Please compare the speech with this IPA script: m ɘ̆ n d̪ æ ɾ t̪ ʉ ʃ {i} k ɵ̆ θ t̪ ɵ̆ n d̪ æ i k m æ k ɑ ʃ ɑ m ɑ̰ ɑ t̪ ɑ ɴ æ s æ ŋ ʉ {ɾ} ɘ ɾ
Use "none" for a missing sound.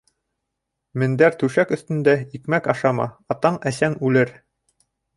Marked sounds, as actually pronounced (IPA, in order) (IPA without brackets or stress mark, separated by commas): æ, l